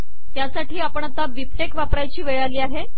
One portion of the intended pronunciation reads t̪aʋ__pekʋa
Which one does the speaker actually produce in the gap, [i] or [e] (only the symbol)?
i